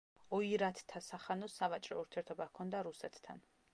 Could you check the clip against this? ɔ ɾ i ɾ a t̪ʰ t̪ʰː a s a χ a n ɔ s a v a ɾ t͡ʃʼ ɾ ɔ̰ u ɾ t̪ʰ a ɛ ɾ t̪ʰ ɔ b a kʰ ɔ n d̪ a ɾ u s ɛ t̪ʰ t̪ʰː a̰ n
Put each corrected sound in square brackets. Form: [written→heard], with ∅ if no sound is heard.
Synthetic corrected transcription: ɔ [ɾ→∅] i ɾ a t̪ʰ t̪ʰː a s a χ a n ɔ s a v a [ɾ→∅] t͡ʃʼ ɾ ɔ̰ u ɾ t̪ʰ [a→i] ɛ ɾ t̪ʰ ɔ b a kʰ ɔ n d̪ a ɾ u s ɛ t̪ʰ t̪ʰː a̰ n